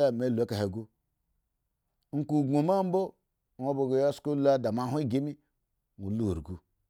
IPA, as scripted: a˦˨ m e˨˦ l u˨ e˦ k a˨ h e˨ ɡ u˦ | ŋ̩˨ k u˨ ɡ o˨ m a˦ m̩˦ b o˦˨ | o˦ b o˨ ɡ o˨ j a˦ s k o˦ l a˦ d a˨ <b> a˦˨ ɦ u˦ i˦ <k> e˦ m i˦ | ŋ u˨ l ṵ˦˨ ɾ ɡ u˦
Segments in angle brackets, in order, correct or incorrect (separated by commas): incorrect, incorrect